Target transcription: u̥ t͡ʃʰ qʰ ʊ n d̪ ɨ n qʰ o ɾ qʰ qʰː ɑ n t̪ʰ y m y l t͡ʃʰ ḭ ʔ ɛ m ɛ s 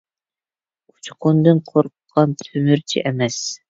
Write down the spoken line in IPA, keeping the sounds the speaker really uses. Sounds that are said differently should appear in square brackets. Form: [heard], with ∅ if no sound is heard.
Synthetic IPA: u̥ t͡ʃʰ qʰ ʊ n d̪ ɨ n qʰ o ɾ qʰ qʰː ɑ n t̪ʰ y m y [ɾ] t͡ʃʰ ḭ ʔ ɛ m ɛ s